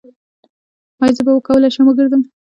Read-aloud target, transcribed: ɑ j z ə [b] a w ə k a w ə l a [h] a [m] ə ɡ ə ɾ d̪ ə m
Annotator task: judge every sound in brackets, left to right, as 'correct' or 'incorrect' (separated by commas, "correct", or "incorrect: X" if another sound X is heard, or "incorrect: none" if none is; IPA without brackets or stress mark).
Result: correct, incorrect: ʃ, correct